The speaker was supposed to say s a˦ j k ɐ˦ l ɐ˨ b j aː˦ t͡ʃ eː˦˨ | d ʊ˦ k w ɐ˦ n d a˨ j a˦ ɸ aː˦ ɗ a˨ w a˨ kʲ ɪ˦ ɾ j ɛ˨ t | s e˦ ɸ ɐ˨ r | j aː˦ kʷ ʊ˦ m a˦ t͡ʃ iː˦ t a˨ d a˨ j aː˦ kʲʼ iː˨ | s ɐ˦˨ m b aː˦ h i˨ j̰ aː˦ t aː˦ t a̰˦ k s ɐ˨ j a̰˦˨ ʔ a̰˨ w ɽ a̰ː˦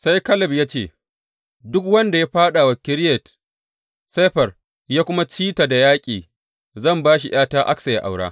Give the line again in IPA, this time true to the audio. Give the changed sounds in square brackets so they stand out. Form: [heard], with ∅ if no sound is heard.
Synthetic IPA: s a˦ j k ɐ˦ l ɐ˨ b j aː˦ t͡ʃ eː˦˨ | d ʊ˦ k w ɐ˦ n d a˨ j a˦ ɸ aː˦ ɗ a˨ w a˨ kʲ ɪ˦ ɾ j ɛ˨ t | s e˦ ɸ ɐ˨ r | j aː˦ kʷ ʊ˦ m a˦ t͡ʃ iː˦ t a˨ d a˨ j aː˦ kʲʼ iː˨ | [z] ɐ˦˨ m b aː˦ [ʃ] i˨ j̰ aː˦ t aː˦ [ʔ] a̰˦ k s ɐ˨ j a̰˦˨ ʔ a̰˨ w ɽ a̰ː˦